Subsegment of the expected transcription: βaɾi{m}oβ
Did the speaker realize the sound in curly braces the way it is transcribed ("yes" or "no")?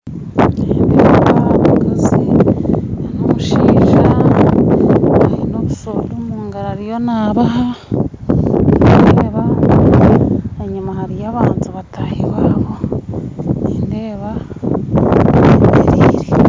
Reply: no